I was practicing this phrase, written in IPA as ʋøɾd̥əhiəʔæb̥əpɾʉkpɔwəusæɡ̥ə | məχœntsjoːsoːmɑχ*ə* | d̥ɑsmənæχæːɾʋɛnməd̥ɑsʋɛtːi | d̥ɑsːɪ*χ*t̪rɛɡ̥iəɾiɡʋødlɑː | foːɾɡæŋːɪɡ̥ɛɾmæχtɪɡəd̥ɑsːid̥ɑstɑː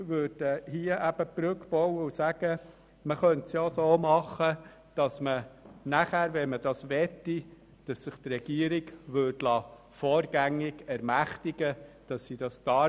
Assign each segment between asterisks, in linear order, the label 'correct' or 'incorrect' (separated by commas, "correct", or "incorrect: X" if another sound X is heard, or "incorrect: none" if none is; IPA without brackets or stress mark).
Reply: correct, correct